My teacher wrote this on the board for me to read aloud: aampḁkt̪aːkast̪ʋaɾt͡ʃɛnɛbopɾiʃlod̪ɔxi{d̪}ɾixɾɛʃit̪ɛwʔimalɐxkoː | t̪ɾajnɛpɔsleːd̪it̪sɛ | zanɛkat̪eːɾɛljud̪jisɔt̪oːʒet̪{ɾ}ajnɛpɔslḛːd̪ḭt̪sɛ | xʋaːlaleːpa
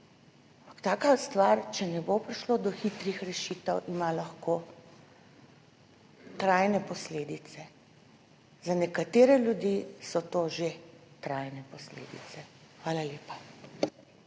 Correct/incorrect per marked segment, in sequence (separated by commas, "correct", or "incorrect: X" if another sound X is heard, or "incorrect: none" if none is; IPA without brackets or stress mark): incorrect: t̪, correct